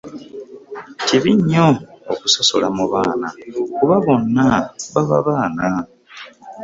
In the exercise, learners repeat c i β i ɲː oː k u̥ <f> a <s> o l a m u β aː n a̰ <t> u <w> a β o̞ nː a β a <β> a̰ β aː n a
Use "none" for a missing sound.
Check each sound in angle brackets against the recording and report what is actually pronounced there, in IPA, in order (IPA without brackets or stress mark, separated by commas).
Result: s, s, k, β, β